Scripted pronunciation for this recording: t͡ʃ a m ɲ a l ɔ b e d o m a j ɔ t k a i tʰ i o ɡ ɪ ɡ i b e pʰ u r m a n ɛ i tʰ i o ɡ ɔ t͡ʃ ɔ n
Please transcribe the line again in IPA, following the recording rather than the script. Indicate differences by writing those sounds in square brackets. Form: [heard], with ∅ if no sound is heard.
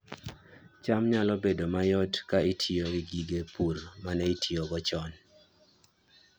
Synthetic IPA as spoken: t͡ʃ a m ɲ a l ɔ b e d o m a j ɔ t k a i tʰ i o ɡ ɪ ɡ i [ɡ] e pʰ u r m a n ɛ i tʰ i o ɡ ɔ t͡ʃ ɔ n